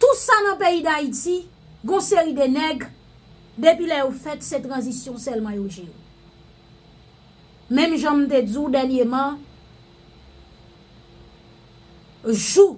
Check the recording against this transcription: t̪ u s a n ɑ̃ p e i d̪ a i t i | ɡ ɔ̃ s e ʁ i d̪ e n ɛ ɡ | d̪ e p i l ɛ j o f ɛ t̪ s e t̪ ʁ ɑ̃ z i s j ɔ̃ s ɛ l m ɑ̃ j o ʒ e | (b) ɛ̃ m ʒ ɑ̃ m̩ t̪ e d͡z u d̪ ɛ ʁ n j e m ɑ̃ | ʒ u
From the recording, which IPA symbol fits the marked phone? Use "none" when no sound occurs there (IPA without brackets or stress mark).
m